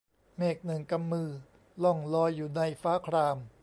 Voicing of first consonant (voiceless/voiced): voiced